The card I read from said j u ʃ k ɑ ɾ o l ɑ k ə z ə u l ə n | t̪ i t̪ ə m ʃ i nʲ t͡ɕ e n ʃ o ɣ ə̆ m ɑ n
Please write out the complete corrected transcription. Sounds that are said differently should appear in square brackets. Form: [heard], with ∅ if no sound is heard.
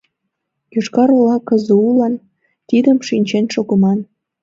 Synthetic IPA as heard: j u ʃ k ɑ ɾ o l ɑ k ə z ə u l [ɑ] n | t̪ i [d̪] ə m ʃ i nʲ t͡ɕ e n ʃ o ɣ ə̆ m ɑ n